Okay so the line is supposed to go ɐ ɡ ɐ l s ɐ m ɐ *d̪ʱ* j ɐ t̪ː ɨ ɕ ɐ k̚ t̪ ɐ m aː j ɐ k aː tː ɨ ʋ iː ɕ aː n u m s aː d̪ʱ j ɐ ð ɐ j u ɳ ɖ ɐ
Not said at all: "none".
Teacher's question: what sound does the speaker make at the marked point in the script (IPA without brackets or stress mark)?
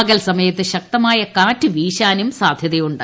none